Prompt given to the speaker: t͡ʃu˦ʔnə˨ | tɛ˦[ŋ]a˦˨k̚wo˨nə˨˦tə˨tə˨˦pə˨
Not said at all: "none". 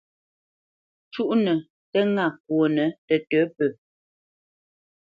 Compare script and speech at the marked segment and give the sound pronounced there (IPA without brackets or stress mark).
ŋ